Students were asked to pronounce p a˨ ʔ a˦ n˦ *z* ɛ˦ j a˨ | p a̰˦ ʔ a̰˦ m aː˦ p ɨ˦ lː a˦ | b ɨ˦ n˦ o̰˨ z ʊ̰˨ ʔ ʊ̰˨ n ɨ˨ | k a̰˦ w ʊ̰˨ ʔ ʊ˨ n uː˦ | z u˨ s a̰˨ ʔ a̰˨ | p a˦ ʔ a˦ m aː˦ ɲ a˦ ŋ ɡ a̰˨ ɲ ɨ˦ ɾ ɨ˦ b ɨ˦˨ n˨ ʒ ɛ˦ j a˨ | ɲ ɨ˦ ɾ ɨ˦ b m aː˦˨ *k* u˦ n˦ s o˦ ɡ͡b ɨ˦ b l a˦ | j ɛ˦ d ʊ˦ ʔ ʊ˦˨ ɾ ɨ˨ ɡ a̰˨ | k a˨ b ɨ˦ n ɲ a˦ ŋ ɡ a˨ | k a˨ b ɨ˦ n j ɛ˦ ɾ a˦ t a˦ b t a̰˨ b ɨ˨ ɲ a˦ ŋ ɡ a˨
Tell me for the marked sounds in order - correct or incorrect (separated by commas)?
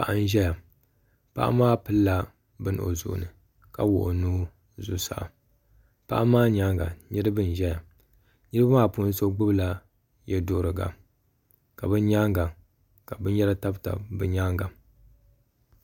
incorrect, incorrect